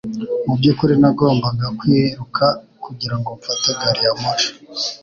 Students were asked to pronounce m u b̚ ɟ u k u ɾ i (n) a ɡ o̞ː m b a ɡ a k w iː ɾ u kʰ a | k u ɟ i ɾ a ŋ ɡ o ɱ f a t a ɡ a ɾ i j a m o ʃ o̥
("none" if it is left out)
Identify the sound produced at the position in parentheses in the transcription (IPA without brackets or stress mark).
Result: n